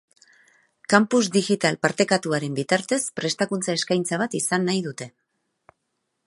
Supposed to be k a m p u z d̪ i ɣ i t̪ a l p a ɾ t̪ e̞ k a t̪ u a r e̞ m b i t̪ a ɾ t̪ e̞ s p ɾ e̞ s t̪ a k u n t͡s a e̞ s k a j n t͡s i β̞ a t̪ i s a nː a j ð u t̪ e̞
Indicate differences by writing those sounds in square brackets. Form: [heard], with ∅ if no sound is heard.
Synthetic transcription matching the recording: k a m p u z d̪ i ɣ i t̪ a l p a ɾ t̪ e̞ k a t̪ u a [ɾ] e̞ m b i t̪ a ɾ t̪ e̞ s p ɾ e̞ s t̪ a k u n t͡s a e̞ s k a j n t͡s [a] β̞ a t̪ i s a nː a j ð u t̪ e̞